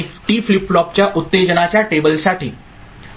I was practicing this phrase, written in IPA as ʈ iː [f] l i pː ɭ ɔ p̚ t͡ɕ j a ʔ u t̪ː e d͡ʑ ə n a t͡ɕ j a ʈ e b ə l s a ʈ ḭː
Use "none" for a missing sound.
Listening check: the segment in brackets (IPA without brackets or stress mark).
f